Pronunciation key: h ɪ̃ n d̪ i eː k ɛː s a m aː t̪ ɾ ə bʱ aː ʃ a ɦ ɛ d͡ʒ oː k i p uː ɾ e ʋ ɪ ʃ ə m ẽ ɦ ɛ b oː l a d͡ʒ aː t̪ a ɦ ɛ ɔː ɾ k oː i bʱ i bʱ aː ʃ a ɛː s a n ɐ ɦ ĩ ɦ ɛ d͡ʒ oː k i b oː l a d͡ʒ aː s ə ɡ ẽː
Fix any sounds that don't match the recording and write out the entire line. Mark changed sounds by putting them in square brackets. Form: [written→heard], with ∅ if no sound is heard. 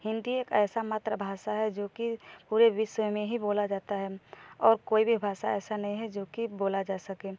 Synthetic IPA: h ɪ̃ n d̪ i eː k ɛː s a m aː t̪ ɾ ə bʱ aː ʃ a ɦ ɛ d͡ʒ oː k i p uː ɾ e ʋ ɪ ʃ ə m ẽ ɦ [ɛ→i] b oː l a d͡ʒ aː t̪ a ɦ ɛ ɔː ɾ k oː i bʱ i bʱ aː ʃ a ɛː s a n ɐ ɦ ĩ ɦ ɛ d͡ʒ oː k i b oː l a d͡ʒ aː s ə [ɡ→k] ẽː

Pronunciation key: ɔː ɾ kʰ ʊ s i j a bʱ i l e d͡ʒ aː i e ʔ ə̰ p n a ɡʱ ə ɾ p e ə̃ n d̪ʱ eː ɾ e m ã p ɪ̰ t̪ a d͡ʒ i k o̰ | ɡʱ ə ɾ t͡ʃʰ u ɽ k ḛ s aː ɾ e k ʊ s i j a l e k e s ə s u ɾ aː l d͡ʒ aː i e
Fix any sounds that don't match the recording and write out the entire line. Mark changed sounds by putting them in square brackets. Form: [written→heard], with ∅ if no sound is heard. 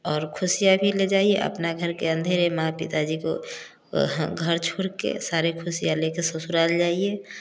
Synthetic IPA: ɔː ɾ kʰ ʊ s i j a bʱ i l e d͡ʒ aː i e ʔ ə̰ p n a ɡʱ ə ɾ [p→k] e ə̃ n d̪ʱ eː ɾ e m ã p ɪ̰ t̪ a d͡ʒ i k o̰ | ɡʱ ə ɾ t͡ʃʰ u ɽ k ḛ s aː ɾ e [k→kʰ] ʊ s i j a l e k e s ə s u ɾ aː l d͡ʒ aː i e

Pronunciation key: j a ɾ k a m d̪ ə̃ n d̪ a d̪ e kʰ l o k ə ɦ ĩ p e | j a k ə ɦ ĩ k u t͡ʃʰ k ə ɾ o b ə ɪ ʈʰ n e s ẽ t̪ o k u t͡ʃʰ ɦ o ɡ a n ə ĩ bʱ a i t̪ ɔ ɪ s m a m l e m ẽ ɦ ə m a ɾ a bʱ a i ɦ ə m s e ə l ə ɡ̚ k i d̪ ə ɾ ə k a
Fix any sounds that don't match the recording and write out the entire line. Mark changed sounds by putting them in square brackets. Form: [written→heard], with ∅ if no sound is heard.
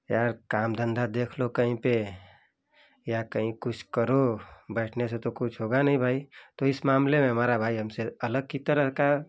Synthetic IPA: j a ɾ k a m d̪ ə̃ n d̪ a d̪ e kʰ l o k ə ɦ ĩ p e | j a k ə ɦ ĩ k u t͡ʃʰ k ə ɾ o b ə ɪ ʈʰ n e s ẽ t̪ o k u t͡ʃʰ ɦ o ɡ a n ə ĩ bʱ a i t̪ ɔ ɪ s m a m l e m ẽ ɦ ə m a ɾ a bʱ a i ɦ ə m s e ə l ə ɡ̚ k i [d̪→t̪] ə ɾ ə k a

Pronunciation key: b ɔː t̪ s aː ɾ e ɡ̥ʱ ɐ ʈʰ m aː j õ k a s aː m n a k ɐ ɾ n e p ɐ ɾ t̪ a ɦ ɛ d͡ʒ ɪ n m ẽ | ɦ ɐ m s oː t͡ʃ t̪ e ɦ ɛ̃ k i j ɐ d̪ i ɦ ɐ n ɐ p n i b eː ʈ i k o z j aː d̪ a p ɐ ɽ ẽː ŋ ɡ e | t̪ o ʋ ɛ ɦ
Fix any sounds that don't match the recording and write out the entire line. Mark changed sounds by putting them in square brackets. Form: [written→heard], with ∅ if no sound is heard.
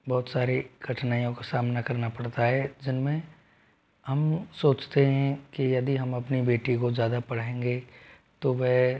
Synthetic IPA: b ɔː t̪ s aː ɾ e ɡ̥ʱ ɐ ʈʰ [m→n] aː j õ k a s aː m n a k ɐ ɾ n [e→a] p ɐ [ɾ→ɽ] t̪ a ɦ ɛ d͡ʒ ɪ n m ẽ | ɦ ɐ m s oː t͡ʃ t̪ e ɦ ɛ̃ k i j ɐ d̪ i ɦ ɐ [n→m] ɐ p n i b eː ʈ i k o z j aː d̪ a p ɐ ɽ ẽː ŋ ɡ e | t̪ o ʋ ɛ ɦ

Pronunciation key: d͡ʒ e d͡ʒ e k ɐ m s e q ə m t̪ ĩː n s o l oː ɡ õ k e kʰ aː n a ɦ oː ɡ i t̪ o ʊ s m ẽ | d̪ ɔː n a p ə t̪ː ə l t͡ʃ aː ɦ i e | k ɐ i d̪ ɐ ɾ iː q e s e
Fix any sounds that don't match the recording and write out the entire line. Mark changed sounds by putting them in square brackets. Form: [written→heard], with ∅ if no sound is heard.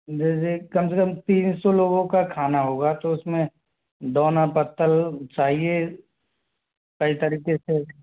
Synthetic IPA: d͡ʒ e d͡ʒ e k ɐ m s e [q→k] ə m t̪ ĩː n s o l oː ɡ õ k [e→a] kʰ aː n a ɦ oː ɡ [i→a] t̪ o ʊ s m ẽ | d̪ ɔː n a p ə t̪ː ə l t͡ʃ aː ɦ i e | k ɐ i [d̪→t̪] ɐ ɾ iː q e s e

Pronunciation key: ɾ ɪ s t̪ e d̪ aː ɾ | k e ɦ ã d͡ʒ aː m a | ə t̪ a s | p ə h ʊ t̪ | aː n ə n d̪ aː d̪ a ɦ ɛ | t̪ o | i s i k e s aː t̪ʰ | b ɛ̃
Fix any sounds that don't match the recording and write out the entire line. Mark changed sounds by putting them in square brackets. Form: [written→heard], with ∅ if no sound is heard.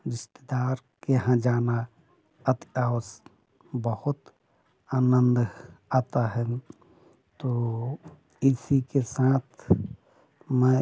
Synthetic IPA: ɾ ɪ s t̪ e d̪ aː ɾ | k e ɦ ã d͡ʒ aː [m→n] a | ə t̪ a s | [p→b] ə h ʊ t̪ | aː n ə n d̪ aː [d̪→t̪] a ɦ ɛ | t̪ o | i s i k e s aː t̪ʰ | [b→m] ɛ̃

